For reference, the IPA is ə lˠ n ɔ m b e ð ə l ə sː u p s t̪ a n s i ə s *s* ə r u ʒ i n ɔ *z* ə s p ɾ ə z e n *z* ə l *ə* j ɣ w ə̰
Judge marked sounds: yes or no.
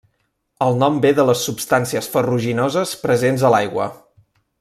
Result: no, yes, yes, no

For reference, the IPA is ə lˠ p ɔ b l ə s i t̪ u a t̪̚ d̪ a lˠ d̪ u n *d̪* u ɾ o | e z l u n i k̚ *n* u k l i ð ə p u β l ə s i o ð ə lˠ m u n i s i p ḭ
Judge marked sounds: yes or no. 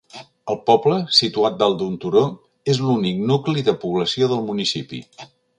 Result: no, yes

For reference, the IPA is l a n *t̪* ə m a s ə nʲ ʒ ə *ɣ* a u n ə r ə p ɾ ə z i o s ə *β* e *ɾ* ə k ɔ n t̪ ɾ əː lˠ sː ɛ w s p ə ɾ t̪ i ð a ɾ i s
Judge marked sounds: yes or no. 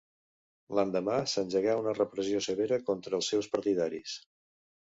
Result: no, yes, yes, yes

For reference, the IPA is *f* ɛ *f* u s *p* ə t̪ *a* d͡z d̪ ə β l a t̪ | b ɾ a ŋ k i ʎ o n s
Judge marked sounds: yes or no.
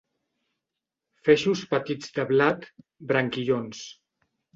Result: yes, no, yes, no

